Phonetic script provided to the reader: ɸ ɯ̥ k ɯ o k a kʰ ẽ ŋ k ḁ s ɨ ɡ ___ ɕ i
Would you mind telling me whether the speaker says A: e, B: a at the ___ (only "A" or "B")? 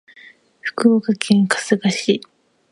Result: B